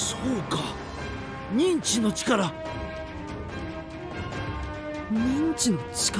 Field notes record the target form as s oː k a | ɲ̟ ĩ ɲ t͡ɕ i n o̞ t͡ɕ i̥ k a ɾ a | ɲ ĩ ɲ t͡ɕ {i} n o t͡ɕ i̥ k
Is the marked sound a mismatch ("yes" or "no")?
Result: no